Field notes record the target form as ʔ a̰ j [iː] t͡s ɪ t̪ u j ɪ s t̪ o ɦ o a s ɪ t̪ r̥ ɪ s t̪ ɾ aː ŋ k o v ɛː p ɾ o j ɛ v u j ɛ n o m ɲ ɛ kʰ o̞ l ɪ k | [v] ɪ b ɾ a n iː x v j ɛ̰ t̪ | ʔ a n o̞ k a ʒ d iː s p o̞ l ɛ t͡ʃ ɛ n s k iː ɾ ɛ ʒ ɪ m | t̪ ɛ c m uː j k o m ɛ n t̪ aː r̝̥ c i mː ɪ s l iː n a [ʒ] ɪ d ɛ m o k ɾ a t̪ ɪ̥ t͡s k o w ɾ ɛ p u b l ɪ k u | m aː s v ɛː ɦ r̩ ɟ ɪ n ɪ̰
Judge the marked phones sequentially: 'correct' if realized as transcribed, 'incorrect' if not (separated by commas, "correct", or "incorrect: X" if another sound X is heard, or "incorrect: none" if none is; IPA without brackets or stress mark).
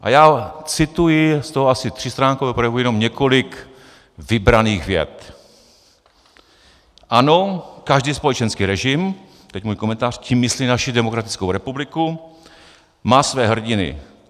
incorrect: aː, correct, incorrect: ʃ